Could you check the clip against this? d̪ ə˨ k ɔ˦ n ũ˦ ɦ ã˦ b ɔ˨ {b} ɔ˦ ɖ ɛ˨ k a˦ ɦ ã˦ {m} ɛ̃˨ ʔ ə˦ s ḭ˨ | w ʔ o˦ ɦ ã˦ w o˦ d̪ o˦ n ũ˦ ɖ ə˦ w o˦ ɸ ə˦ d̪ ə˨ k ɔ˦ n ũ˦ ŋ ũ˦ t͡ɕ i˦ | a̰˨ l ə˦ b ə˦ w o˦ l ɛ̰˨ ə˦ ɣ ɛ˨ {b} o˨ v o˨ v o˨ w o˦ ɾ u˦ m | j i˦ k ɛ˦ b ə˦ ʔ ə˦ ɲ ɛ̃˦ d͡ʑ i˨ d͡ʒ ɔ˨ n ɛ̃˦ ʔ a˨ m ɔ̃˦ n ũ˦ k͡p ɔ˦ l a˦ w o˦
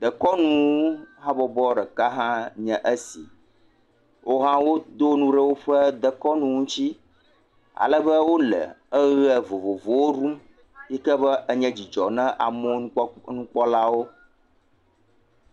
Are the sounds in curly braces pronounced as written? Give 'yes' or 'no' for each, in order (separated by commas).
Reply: yes, no, no